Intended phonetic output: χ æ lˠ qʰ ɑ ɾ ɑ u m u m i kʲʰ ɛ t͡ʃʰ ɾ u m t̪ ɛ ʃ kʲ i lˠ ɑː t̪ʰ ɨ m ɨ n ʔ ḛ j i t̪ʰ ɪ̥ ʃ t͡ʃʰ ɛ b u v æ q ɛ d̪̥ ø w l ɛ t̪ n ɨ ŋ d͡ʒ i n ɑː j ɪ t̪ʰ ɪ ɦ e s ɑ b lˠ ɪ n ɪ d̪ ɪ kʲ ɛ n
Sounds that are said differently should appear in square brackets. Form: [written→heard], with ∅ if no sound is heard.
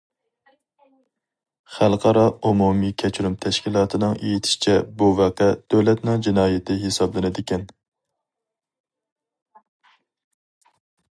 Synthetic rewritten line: χ æ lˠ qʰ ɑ ɾ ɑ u m u m i kʲʰ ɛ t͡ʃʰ ɾ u m [t̪→t̪ʰ] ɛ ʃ kʲ i lˠ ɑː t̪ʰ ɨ [m→n] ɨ [n→ŋ] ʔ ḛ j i t̪ʰ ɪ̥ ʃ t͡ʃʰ ɛ b u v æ q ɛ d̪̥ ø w l ɛ t̪ n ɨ ŋ d͡ʒ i n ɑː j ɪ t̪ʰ ɪ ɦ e s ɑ b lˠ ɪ n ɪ d̪ ɪ kʲ ɛ n